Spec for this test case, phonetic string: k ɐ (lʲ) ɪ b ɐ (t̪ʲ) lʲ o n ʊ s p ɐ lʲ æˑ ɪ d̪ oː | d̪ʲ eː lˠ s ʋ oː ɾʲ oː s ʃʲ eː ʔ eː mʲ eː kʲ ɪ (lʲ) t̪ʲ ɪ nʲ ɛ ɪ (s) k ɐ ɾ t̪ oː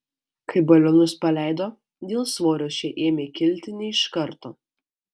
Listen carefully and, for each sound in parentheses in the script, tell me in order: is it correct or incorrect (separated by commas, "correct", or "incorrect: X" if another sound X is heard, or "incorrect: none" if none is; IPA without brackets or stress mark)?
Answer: incorrect: none, incorrect: none, correct, incorrect: ʃ